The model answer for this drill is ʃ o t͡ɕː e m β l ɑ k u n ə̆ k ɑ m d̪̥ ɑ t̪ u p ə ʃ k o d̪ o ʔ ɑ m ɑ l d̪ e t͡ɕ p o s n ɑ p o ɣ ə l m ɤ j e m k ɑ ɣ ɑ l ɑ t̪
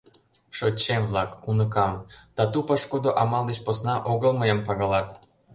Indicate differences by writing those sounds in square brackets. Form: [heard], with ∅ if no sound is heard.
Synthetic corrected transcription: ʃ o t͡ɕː e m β l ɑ k u n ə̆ k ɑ m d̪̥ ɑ t̪ u p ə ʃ k o d̪ o ʔ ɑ m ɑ l d̪ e t͡ɕ p o s n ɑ [ʔ] o ɣ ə l m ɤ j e m [p] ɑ ɣ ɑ l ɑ t̪